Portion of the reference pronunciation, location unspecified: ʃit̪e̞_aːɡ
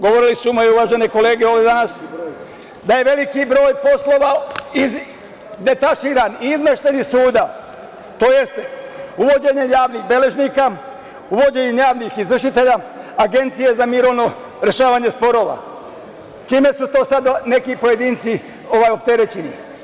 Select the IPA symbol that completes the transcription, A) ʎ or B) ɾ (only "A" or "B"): A